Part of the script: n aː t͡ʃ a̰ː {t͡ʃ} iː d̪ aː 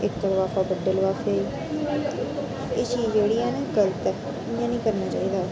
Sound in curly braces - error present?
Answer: yes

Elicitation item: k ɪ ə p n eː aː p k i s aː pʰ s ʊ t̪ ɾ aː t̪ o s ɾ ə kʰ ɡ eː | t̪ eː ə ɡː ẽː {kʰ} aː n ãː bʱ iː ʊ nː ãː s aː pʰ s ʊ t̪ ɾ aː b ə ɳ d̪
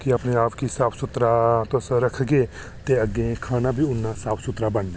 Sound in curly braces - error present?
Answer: no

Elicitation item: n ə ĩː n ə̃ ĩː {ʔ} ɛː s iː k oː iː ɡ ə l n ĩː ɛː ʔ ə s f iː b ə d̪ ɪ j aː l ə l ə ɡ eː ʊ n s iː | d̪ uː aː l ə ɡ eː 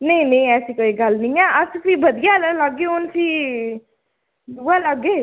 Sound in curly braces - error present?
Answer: yes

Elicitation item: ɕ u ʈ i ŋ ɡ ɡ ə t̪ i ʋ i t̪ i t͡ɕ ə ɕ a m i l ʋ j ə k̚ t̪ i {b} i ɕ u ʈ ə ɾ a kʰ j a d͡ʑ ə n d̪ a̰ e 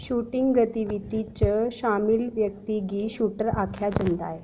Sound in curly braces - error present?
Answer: yes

